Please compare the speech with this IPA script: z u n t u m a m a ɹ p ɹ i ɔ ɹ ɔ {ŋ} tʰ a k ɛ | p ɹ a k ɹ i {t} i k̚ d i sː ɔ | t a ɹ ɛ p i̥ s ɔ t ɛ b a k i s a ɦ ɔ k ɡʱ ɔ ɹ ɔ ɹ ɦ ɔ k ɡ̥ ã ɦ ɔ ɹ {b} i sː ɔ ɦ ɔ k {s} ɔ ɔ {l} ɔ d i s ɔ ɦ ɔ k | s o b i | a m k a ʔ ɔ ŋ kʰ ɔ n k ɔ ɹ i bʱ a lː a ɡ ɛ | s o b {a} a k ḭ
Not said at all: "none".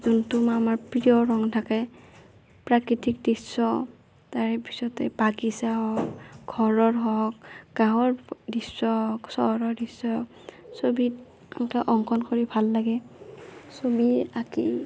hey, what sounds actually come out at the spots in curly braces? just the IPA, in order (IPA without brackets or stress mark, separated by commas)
ŋ, t, d, s, ɹ, i